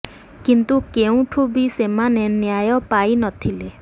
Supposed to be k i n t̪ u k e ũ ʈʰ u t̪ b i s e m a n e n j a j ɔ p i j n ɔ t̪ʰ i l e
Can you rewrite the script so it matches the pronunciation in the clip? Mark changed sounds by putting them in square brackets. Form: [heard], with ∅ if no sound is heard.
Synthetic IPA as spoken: k i n t̪ u k e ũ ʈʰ u [∅] b i s e m a n e n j a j ɔ p [a] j n ɔ t̪ʰ i l e